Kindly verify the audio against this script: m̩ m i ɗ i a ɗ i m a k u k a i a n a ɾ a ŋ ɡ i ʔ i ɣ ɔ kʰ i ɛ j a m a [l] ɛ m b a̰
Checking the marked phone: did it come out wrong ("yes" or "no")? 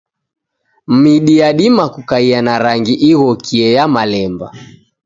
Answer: no